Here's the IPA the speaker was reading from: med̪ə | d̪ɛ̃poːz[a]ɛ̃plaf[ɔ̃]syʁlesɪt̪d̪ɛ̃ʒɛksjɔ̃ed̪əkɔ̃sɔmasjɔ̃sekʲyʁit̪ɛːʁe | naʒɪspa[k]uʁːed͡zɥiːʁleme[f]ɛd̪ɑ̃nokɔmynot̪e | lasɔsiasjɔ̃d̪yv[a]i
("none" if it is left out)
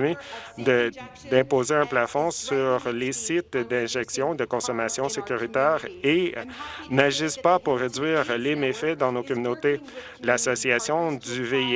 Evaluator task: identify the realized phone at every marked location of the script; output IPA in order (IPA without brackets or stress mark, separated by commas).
e, ɔ̃, p, f, e